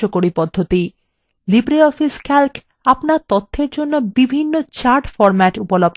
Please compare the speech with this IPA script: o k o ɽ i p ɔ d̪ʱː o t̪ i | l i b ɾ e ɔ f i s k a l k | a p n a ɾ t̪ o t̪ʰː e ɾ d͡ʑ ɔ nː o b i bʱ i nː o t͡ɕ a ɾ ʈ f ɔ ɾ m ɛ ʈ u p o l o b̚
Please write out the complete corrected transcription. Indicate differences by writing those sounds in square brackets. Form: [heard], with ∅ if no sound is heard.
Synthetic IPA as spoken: o k o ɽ i p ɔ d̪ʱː o t̪ i | l i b ɾ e ɔ f i s k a l k | a p n a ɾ t̪ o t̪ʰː e ɾ d͡ʑ [o] nː o b i bʱ i nː o t͡ɕ a ɾ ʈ f ɔ ɾ m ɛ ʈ u p o l o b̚